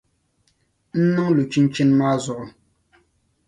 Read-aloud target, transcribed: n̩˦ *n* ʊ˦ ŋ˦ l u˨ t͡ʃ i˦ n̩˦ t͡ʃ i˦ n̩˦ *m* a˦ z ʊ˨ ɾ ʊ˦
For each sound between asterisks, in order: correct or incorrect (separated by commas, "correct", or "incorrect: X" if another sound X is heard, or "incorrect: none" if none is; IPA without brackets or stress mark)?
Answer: correct, correct